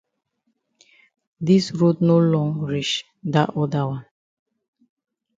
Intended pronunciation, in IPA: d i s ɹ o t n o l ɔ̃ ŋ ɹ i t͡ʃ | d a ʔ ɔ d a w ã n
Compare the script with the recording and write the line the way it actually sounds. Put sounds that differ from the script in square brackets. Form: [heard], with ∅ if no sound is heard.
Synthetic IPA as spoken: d i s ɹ o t n o l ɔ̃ ŋ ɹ i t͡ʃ | d a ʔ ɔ d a w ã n

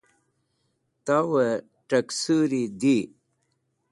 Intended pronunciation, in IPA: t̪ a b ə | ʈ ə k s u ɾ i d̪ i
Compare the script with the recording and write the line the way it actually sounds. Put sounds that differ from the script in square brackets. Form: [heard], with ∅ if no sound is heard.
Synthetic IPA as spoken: t̪ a [w] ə | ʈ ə k s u ɾ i d̪ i

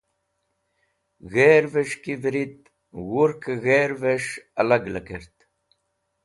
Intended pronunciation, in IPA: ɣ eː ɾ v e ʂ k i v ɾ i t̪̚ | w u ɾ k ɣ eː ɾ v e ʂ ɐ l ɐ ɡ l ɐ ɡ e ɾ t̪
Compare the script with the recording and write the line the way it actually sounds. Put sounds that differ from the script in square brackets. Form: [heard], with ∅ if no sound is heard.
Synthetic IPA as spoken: ɣ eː ɾ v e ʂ k i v ɾ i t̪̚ | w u ɾ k ɣ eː ɾ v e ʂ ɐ l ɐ ɡ l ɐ [k] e ɾ t̪

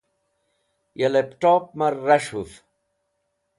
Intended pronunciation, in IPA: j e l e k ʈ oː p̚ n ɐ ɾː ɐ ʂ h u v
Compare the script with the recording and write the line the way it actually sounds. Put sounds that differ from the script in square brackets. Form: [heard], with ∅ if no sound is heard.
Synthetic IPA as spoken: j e l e [p] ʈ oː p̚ [m] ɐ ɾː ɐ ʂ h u [f]

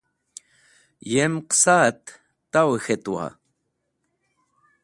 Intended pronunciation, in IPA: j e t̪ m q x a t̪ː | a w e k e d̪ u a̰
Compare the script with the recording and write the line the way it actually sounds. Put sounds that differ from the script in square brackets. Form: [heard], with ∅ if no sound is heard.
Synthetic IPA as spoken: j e [∅] m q [s] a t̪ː | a w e [x] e [t̪] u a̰

